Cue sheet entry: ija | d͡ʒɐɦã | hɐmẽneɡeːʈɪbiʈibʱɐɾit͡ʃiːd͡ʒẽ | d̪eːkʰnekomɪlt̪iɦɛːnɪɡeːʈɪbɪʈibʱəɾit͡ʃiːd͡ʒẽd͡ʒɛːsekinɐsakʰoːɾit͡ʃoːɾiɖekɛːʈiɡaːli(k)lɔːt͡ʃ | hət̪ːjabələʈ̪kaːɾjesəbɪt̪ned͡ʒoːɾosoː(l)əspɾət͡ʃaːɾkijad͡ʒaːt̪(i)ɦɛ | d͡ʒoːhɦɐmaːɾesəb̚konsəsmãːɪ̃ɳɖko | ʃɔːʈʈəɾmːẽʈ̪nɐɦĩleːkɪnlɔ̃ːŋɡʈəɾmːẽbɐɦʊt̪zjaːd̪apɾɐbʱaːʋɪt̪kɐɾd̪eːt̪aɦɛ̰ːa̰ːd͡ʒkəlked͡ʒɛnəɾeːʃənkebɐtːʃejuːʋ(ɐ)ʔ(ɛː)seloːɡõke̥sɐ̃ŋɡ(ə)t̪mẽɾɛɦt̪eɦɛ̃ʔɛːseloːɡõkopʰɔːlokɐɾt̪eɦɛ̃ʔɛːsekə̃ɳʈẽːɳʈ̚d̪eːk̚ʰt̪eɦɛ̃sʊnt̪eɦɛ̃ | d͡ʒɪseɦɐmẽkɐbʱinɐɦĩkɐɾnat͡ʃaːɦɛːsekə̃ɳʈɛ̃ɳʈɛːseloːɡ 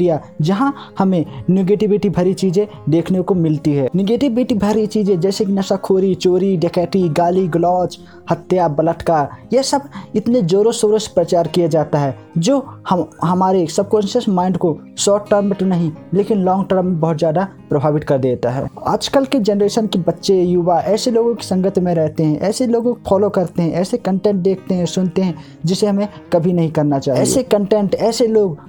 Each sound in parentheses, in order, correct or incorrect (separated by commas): incorrect, incorrect, incorrect, incorrect, correct, correct